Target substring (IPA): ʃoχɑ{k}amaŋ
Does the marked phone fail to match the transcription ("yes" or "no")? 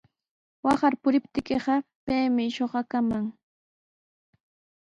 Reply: no